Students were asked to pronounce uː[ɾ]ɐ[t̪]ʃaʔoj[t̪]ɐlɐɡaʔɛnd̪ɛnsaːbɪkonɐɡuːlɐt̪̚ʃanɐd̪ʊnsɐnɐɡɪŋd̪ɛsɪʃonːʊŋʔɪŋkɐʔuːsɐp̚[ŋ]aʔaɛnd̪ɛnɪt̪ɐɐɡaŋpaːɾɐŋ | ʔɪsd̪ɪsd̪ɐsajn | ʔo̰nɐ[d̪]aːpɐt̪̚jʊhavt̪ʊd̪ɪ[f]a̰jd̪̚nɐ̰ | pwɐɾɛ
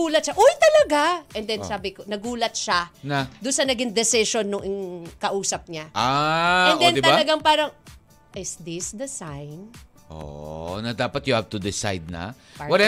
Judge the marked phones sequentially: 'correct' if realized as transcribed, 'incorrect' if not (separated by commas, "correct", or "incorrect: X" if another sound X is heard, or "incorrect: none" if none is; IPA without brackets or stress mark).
incorrect: l, correct, correct, incorrect: ɲ, correct, incorrect: s